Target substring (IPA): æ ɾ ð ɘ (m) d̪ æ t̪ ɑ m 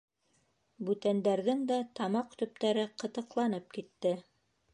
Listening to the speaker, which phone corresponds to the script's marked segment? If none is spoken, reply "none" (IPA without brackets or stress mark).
ŋ